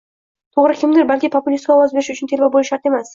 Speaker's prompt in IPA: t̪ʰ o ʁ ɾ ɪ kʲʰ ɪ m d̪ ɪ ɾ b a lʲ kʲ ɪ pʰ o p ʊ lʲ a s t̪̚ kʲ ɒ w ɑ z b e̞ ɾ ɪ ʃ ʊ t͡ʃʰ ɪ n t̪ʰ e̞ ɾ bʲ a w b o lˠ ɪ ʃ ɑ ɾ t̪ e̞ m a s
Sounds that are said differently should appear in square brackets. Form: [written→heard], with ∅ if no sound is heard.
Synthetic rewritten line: t̪ʰ o ʁ ɾ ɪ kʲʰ ɪ m d̪ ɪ ɾ b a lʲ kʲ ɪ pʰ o p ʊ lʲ [a→i] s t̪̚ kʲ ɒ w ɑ z b e̞ ɾ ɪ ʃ ʊ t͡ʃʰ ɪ n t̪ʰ e̞ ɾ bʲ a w b o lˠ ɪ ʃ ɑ ɾ t̪ e̞ m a s